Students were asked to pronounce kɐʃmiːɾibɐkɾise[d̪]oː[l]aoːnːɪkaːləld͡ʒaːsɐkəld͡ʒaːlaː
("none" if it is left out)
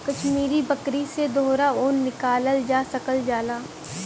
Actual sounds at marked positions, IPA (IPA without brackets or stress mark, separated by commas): d̪, ɾ